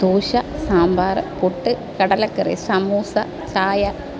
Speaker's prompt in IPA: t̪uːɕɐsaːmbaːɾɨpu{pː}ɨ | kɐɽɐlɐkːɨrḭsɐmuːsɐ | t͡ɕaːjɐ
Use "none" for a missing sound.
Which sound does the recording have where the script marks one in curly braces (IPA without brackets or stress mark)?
ʈː